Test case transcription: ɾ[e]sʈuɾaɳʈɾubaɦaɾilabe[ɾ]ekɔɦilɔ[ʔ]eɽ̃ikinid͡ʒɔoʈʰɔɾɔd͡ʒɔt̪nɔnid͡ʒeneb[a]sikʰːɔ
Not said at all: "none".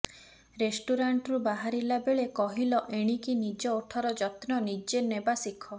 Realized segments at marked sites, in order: e, ɭ, ʔ, a

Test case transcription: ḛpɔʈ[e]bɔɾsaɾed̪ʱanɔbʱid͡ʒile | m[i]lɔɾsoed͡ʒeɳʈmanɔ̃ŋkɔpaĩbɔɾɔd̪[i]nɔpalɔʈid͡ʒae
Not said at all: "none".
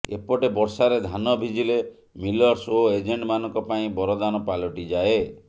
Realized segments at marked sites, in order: e, i, a

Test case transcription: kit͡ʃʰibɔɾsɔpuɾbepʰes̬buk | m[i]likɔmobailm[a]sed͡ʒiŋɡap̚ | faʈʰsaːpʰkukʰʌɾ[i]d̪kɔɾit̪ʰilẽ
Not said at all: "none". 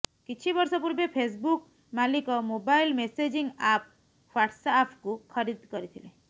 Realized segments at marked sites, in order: a, e, i

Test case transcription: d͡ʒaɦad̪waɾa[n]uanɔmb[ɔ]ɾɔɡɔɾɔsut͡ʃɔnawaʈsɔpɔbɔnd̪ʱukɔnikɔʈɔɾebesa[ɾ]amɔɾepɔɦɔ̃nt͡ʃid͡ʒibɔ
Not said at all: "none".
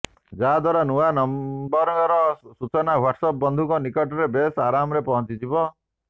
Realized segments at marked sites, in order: n, ɔ, ɾ

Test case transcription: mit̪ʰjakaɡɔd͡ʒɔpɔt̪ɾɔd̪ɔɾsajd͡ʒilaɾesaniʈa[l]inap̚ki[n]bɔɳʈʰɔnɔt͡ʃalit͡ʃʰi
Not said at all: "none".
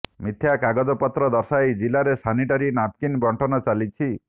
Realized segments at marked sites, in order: ɾ, n

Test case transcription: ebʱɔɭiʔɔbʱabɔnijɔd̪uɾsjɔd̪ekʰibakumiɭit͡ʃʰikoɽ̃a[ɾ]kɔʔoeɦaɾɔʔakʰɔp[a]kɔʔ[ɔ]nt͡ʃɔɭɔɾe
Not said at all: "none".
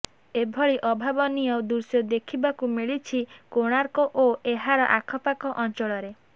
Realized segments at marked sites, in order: ɾ, a, ɔ

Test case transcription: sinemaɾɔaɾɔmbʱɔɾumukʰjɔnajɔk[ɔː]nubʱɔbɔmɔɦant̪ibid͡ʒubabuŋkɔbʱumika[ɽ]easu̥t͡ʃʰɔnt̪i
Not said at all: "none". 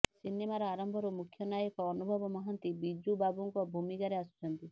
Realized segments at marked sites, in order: ɔː, ɾ

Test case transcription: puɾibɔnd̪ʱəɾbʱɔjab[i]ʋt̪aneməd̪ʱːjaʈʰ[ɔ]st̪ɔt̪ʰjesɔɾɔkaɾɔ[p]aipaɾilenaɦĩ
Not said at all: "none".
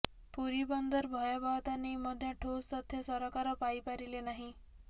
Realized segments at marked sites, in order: a, o, p

